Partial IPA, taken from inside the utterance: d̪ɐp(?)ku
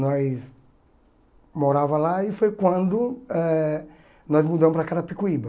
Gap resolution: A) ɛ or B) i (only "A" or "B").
B